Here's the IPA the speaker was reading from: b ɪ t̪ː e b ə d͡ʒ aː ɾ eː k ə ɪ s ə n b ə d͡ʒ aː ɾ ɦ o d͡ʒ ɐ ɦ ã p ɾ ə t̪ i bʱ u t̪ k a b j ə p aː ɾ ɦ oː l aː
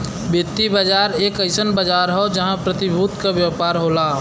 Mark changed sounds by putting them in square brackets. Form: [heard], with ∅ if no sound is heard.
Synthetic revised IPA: b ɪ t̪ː [i] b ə d͡ʒ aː ɾ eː k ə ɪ s ə n b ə d͡ʒ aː ɾ ɦ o d͡ʒ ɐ ɦ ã p ɾ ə t̪ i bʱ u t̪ k a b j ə p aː ɾ ɦ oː l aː